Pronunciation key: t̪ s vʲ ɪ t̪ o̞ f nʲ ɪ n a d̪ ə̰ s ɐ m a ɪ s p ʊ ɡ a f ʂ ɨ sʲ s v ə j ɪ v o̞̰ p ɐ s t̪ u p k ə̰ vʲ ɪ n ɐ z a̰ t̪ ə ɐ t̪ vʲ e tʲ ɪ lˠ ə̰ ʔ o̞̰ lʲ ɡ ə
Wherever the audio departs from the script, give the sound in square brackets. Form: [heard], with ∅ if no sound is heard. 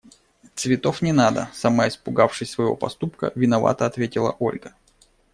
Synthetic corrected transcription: t̪ s vʲ ɪ t̪ o̞ f nʲ ɪ n a d̪ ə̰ s ɐ m a ɪ s p ʊ ɡ a f ʂ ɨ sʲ s v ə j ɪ v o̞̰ p ɐ s t̪ u p k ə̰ vʲ ɪ n ɐ [v] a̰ t̪ ə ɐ t̪ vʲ e tʲ ɪ lˠ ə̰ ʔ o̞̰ lʲ ɡ ə